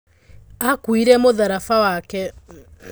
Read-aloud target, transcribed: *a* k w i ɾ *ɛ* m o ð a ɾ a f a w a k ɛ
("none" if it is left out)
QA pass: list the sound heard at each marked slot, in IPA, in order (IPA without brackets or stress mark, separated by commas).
a, ɛ